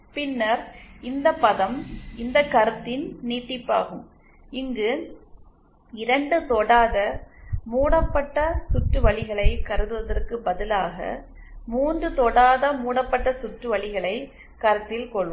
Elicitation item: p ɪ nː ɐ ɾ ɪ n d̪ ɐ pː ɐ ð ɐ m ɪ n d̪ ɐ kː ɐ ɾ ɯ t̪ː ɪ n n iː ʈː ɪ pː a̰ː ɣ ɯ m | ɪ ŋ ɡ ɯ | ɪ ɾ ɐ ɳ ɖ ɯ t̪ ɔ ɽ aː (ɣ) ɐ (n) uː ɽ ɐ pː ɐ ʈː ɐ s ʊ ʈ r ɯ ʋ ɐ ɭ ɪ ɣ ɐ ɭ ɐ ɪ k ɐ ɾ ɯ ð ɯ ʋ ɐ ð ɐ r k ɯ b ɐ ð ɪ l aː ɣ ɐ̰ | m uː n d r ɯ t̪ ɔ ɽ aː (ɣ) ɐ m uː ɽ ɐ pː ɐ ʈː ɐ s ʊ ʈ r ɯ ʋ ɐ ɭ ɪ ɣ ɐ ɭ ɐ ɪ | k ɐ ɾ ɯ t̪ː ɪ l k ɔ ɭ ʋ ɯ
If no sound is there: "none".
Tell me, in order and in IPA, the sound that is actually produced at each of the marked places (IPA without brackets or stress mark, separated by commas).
ð, m, ð